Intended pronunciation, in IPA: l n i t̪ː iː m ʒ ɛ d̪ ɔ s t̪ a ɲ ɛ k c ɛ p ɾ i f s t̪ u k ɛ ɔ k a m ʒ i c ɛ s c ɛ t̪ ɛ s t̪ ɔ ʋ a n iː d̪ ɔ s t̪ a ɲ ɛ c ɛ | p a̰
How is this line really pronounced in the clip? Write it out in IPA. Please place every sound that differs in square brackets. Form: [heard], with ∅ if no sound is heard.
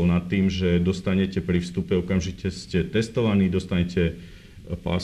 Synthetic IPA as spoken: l n [a] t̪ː iː m ʒ ɛ d̪ ɔ s t̪ a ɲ ɛ [∅] c ɛ p ɾ i f s t̪ u [p] ɛ ɔ k a m ʒ i c ɛ s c ɛ t̪ ɛ s t̪ ɔ ʋ a n iː d̪ ɔ s t̪ a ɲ ɛ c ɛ | p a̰